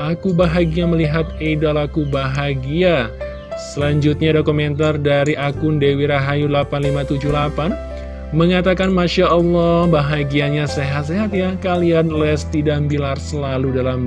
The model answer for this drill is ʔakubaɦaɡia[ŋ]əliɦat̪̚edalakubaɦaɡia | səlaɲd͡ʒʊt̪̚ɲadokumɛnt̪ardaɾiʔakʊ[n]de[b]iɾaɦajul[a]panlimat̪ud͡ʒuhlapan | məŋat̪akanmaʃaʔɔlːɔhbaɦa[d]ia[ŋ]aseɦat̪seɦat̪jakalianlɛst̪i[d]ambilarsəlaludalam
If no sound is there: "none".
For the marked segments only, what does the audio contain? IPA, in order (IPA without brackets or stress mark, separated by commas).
m, n, w, a, ɡ, ɲ, d